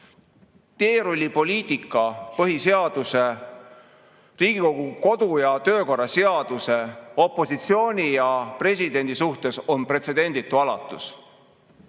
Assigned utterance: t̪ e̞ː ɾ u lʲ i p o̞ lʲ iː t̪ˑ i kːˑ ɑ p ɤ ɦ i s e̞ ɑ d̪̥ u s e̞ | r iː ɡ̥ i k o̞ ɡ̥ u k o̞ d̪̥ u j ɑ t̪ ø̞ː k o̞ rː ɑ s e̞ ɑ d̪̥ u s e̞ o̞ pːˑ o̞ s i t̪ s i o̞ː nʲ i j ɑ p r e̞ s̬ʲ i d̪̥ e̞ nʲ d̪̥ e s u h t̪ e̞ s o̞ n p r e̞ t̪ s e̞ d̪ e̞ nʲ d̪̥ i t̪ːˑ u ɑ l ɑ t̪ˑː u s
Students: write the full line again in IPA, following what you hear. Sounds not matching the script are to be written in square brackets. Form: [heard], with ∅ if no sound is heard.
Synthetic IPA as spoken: t̪ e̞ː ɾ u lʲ i p o̞ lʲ iː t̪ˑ i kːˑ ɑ p ɤ ɦ i s e̞ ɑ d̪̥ u s e̞ | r iː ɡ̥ i k o̞ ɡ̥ u k o̞ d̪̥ u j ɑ t̪ ø̞ː k o̞ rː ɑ s e̞ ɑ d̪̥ u s e̞ o̞ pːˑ o̞ s i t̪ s i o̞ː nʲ i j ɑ p r e̞ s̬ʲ i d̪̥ e̞ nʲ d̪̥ [i] s u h t̪ e̞ s o̞ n p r e̞ t̪ s e̞ d̪ e̞ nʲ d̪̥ i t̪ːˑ u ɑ l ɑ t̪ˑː u s